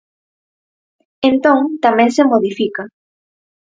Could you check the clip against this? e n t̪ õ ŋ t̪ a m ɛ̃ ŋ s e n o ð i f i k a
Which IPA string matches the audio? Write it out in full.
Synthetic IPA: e n t̪ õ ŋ t̪ a m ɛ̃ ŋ s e m o ð i f i k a